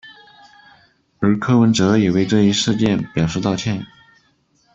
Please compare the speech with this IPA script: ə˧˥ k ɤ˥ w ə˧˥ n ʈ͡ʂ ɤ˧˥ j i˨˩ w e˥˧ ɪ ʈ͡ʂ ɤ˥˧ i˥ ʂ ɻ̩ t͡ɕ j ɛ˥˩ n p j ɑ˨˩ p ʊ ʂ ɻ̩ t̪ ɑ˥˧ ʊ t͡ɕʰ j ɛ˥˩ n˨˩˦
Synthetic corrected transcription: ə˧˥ kʰ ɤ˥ w ə˧˥ n ʈ͡ʂ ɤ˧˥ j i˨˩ w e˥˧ ɪ ʈ͡ʂ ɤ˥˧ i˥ ʂ ɻ̩ t͡ɕ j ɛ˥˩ n p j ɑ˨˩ ʊ ʂ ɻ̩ t̪ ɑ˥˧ ʊ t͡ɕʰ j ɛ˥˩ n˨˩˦